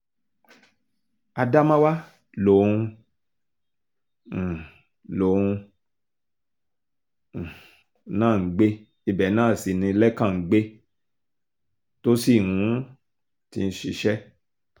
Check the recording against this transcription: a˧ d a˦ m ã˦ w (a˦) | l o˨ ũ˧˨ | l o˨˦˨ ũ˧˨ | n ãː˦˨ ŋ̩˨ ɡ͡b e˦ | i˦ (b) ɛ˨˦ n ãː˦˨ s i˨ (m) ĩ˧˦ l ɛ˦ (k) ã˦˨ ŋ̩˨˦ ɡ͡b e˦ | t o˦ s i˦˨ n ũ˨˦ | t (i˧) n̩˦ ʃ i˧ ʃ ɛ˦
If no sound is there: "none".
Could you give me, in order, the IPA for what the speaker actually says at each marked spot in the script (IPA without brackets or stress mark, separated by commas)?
a˦, b, n, k, i˧